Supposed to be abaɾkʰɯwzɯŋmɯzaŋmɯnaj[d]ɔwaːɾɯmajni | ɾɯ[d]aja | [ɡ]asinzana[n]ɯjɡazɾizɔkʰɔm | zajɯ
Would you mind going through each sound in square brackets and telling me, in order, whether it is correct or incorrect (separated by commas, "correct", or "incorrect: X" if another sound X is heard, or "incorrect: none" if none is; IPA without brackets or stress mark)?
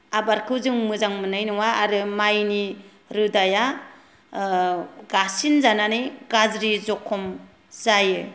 incorrect: n, correct, correct, correct